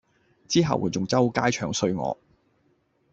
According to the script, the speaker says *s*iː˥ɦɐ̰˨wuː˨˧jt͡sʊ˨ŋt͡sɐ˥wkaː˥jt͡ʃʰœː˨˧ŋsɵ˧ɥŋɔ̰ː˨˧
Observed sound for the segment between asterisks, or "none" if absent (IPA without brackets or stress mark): t͡s